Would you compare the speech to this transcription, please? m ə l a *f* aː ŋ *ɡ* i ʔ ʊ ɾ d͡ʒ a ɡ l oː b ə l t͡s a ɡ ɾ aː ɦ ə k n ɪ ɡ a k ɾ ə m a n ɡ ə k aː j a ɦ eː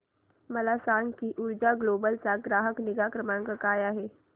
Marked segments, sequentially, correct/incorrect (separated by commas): incorrect, incorrect